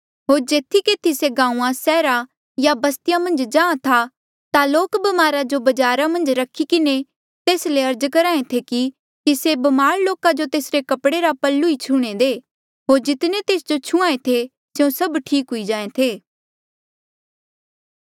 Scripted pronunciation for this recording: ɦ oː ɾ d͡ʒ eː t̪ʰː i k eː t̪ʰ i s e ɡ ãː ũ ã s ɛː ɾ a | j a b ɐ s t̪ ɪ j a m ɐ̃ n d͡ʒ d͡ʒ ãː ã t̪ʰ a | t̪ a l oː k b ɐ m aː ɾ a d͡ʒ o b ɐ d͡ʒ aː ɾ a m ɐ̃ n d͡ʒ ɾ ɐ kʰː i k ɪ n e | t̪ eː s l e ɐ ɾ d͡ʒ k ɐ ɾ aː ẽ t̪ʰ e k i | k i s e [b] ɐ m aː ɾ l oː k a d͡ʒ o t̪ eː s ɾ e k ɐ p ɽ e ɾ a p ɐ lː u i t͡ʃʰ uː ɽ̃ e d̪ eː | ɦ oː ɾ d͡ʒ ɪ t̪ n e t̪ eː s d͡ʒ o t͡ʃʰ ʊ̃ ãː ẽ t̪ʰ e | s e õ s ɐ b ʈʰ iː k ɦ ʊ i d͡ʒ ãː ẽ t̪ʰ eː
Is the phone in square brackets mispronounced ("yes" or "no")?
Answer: no